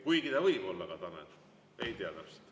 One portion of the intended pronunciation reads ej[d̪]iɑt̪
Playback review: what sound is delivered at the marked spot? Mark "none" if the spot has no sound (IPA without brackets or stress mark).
t̪